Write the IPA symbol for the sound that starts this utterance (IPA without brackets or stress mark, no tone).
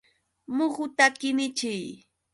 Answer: m